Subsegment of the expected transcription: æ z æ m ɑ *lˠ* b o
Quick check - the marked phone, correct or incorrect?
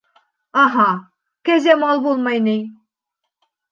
correct